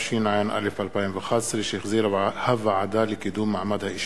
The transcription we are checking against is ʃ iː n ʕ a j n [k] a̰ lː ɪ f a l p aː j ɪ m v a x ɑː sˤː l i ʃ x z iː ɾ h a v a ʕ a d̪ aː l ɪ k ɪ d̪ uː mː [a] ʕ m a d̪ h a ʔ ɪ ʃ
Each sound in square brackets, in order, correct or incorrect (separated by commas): incorrect, correct